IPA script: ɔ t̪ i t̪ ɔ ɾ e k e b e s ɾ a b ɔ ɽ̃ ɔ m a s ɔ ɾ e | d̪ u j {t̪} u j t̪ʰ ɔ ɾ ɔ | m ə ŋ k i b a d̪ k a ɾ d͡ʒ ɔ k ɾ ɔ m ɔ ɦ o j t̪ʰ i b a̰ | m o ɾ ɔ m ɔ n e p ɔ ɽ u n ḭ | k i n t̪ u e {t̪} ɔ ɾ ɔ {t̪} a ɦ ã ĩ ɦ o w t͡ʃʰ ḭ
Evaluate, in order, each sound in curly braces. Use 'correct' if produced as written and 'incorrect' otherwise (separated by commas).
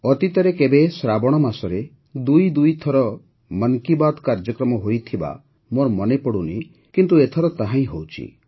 incorrect, incorrect, correct